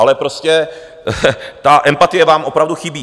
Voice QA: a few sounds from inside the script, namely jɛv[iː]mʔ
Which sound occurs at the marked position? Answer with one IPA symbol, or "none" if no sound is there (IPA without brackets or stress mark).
aː